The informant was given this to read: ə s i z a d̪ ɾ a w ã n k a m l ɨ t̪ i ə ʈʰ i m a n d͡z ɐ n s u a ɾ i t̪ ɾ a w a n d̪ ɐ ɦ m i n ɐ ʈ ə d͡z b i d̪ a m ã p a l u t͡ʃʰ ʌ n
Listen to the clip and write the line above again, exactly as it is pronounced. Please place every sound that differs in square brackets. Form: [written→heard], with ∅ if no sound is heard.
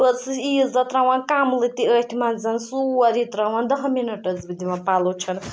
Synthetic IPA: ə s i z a [d̪→t̪] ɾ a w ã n k a m l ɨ t̪ i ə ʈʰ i m a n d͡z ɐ n s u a ɾ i t̪ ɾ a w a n d̪ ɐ ɦ m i n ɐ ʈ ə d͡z b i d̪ [a→i] m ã p a l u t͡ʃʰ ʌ n